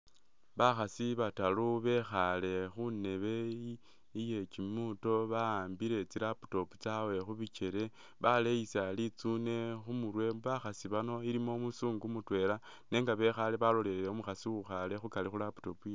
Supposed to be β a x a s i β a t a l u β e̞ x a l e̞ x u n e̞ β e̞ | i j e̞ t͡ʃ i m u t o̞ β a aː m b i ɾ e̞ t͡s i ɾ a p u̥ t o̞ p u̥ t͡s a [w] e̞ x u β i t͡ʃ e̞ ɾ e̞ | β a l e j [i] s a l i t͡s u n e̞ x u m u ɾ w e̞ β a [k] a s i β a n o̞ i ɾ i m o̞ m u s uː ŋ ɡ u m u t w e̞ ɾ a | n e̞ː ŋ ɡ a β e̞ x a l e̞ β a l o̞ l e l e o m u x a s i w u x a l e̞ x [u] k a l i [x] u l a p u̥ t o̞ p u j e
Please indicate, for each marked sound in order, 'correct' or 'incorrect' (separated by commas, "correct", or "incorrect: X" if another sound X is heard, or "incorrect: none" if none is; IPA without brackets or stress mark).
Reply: correct, correct, incorrect: x, correct, correct